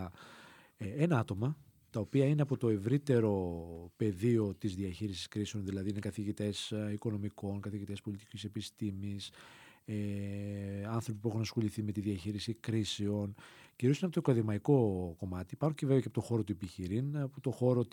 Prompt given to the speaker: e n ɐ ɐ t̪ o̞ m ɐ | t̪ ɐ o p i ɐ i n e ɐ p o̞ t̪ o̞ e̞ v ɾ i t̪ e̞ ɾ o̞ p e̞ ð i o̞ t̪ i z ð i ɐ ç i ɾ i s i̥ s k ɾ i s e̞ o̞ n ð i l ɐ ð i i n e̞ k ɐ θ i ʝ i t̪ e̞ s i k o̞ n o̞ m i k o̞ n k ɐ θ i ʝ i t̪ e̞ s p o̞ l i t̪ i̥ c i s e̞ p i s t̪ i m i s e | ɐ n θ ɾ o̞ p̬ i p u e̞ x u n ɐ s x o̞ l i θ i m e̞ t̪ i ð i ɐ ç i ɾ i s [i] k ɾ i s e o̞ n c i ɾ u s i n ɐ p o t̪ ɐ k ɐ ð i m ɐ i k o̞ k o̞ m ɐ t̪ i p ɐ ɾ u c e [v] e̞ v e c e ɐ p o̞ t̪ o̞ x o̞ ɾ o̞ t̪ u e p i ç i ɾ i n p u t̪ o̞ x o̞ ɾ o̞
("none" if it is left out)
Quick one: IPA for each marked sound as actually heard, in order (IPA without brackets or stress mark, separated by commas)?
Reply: i, v